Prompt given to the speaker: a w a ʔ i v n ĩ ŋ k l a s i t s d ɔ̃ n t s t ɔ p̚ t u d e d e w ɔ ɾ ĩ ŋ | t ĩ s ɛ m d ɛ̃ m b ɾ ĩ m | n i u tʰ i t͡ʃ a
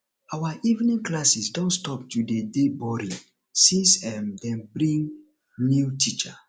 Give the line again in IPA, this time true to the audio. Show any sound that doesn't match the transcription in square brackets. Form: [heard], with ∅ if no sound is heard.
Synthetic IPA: a w a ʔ i v n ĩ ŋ k l a s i [∅] s d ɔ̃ n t s t ɔ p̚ t u d e d e [b] ɔ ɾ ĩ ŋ | [s] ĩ s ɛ m d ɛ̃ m b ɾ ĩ [ŋ] | n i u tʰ i t͡ʃ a